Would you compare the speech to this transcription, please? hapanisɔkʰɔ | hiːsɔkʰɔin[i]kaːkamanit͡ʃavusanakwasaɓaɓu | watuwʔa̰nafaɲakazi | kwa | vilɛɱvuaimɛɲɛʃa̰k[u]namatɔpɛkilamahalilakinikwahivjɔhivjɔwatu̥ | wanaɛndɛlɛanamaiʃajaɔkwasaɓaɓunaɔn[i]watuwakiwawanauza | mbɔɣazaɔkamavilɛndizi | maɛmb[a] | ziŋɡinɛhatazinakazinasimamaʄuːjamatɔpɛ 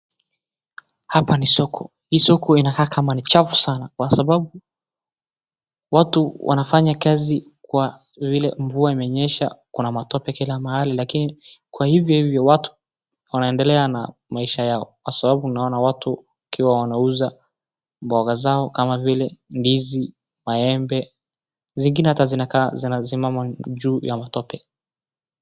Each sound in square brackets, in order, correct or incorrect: incorrect: a, correct, incorrect: a, incorrect: ɛ

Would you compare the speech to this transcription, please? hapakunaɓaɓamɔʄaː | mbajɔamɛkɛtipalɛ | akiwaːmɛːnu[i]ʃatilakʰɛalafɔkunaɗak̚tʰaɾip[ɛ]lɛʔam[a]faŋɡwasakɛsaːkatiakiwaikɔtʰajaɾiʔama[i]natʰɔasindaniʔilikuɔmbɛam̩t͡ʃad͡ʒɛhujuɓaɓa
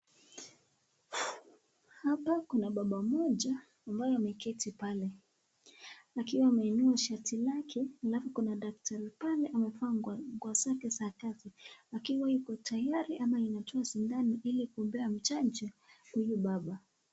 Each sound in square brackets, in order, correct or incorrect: incorrect: a, incorrect: a, incorrect: ɛ, correct

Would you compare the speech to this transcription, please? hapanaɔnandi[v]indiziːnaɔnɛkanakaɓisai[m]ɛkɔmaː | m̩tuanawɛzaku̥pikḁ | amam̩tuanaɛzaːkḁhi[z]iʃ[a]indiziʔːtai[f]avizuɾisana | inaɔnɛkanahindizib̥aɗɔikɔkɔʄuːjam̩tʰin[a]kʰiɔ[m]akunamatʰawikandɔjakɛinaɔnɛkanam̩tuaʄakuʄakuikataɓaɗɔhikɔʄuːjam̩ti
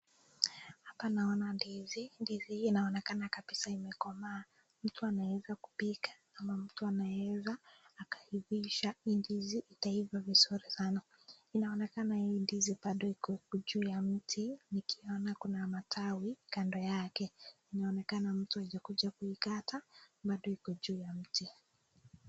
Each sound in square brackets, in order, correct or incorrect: incorrect: z, correct, incorrect: v, correct, incorrect: v, incorrect: i, incorrect: n

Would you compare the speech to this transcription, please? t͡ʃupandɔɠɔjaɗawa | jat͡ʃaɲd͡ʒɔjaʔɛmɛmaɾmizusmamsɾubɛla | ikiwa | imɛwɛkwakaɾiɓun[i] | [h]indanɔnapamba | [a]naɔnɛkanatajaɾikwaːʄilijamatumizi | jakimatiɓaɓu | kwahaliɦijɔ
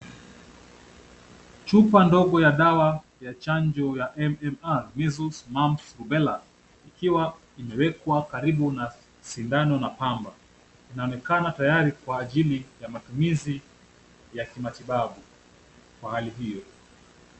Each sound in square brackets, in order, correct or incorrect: incorrect: a, incorrect: s, incorrect: i

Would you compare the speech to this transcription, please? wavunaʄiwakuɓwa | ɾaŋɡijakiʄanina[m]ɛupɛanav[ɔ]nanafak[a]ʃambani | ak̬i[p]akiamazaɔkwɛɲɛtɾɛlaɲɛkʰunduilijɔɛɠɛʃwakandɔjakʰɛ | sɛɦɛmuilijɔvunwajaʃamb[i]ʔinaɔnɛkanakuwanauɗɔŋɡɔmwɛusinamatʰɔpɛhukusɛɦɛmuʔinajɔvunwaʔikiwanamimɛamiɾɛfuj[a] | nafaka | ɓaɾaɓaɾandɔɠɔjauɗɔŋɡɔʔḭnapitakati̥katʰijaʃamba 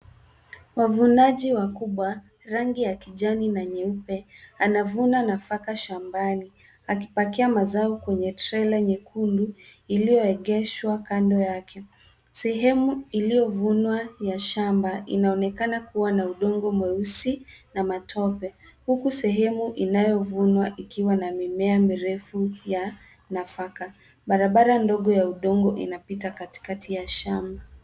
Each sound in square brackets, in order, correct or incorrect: incorrect: ɲ, incorrect: u, correct, correct, incorrect: a, correct

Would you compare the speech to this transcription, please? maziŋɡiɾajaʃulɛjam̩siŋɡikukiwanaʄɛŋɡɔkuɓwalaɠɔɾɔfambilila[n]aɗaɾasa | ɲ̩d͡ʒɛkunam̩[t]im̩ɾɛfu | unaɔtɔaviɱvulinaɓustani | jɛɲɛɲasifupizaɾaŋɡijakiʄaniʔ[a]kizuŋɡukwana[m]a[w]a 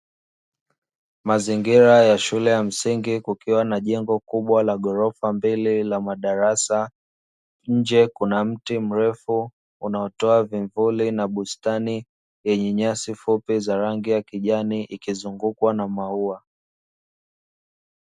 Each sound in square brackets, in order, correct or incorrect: incorrect: m, correct, incorrect: i, correct, incorrect: u

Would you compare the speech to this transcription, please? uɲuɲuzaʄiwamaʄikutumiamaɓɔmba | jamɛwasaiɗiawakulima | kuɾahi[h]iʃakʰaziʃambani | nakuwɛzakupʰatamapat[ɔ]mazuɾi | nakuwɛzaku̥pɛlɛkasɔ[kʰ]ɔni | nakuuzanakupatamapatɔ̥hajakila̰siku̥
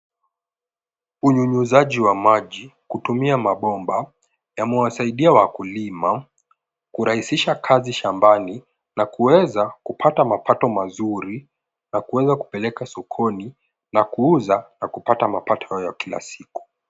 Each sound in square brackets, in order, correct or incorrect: incorrect: s, correct, correct

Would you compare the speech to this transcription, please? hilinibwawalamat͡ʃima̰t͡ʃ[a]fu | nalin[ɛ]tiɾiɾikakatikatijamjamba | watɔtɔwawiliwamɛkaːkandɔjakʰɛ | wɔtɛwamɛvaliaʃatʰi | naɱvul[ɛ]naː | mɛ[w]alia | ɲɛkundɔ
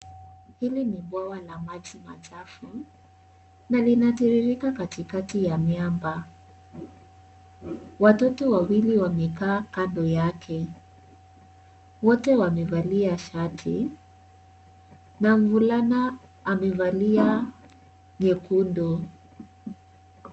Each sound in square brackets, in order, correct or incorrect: correct, incorrect: a, incorrect: a, incorrect: v

